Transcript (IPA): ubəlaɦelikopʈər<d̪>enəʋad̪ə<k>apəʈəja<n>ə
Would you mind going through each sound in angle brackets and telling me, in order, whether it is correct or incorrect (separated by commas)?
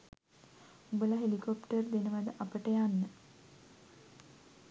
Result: correct, incorrect, incorrect